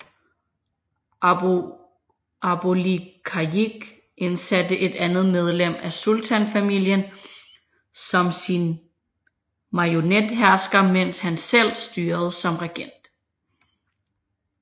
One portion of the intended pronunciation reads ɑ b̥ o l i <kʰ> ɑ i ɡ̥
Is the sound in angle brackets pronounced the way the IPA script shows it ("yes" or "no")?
yes